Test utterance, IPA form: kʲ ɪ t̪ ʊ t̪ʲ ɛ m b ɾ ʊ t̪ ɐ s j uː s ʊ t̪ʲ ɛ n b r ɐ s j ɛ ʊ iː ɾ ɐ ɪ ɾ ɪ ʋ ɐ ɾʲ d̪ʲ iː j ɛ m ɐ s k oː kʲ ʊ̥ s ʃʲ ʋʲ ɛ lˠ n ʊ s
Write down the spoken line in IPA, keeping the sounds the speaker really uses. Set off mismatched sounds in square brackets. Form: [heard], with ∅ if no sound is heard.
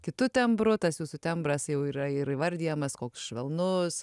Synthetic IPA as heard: kʲ ɪ t̪ ʊ t̪ʲ ɛ m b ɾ ʊ t̪ ɐ s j uː s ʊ t̪ʲ ɛ [m] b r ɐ s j ɛ ʊ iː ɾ ɐ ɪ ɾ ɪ ʋ ɐ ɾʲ d̪ʲ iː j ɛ m ɐ s k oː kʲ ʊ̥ s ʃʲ ʋʲ ɛ lˠ n ʊ s